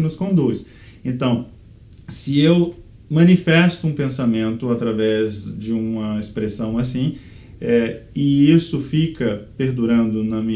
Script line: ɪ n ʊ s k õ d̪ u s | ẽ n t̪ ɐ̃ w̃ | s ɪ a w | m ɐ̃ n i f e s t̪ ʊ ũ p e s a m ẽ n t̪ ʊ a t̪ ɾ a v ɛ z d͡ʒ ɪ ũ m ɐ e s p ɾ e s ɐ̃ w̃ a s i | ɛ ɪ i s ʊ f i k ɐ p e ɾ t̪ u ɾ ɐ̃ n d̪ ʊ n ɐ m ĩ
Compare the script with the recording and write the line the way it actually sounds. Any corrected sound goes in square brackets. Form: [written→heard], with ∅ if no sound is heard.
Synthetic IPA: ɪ n ʊ s k õ d̪ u s | ẽ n t̪ ɐ̃ w̃ | s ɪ [a→e] w | m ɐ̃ n i f [e→ɛ] s t̪ ʊ ũ p [e→ẽ] s a m ẽ n t̪ ʊ a t̪ ɾ a v ɛ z d͡ʒ ɪ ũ m ɐ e s p ɾ e s ɐ̃ w̃ a s [i→ĩ] | ɛ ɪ i s ʊ f i k ɐ p e ɾ [t̪→d̪] u ɾ ɐ̃ n d̪ ʊ n ɐ m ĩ